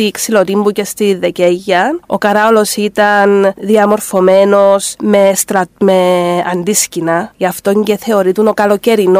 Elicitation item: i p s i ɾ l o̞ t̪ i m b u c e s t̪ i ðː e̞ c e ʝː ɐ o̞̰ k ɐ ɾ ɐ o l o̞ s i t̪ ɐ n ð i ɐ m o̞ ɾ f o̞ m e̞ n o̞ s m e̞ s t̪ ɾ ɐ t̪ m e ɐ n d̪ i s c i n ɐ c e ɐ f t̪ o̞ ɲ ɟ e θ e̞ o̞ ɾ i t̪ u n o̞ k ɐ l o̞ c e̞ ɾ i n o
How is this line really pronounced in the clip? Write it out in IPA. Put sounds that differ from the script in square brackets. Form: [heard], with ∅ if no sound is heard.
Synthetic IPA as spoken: i [k] s i [∅] l o̞ t̪ i m b u c e s t̪ i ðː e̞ c e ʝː ɐ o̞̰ k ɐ ɾ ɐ o l o̞ s i t̪ ɐ n ð i ɐ m o̞ ɾ f o̞ m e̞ n o̞ s m e̞ s t̪ ɾ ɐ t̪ m e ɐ n d̪ i s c i n ɐ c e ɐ f t̪ o̞ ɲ ɟ e θ e̞ o̞ ɾ i t̪ u n o̞ k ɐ l o̞ c e̞ ɾ i n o